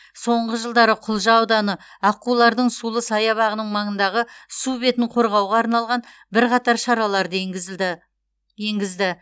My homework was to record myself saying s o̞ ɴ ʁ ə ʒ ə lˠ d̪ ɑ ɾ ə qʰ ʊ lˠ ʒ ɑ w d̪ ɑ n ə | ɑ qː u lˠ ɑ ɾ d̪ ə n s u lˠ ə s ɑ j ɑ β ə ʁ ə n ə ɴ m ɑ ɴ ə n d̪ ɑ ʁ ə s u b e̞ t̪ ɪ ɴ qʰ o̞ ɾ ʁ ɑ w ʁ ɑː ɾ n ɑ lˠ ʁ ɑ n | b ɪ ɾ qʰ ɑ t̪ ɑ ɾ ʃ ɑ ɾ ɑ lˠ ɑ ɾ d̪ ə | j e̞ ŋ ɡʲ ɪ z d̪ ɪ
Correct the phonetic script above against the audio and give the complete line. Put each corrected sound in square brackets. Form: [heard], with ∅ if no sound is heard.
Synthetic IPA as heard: s o̞ ɴ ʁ ə ʒ ə lˠ d̪ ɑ ɾ ə qʰ ʊ lˠ ʒ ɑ w d̪ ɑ n ə | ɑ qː u lˠ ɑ ɾ d̪ ə [ɴ] s u lˠ ə s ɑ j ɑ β [ɑ] ʁ ə n ə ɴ m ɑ ɴ ə n d̪ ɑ ʁ ə s u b e̞ t̪ ɪ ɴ qʰ o̞ ɾ ʁ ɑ w ʁ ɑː ɾ n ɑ lˠ ʁ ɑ n | b ɪ ɾ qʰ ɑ t̪ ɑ ɾ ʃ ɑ ɾ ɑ lˠ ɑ ɾ d̪ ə | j e̞ ŋ ɡʲ ɪ z d̪ ɪ